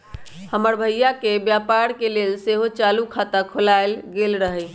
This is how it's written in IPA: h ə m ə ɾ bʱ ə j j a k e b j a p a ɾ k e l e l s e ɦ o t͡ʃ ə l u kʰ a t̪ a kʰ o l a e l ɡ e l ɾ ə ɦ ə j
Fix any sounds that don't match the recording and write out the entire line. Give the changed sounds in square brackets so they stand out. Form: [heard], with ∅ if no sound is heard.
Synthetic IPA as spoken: h ə m ə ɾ bʱ ə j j a k e b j a p a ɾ k e l e l s e ɦ o t͡ʃ [a] l u kʰ a t̪ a kʰ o l a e l ɡ e l ɾ ə ɦ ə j